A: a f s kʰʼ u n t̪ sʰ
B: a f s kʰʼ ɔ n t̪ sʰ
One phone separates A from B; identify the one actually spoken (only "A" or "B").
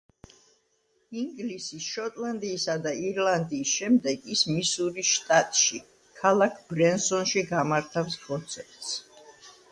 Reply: B